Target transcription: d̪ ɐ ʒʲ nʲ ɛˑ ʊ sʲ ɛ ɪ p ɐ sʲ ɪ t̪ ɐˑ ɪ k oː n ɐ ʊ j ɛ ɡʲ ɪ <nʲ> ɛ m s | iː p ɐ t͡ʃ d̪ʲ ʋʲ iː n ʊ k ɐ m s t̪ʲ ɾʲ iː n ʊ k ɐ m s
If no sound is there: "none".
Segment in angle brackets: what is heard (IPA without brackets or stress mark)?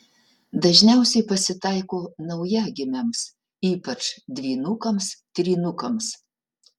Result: mʲ